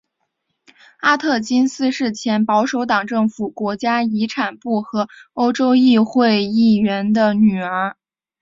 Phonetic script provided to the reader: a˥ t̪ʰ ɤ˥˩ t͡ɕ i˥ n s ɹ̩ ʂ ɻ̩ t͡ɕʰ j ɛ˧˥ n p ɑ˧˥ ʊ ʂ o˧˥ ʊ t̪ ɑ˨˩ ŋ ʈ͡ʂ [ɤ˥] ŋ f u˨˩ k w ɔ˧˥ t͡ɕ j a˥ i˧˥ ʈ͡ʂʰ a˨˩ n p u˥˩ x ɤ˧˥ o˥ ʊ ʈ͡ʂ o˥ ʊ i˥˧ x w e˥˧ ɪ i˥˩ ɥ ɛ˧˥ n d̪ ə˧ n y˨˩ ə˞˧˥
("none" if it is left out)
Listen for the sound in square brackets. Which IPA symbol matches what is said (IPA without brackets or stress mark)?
ɤ˥˩